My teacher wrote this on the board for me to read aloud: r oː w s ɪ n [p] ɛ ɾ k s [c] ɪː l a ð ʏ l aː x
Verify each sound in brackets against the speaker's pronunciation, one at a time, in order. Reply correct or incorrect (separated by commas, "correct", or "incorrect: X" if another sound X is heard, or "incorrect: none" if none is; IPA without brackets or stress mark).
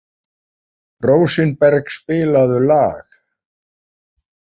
correct, incorrect: p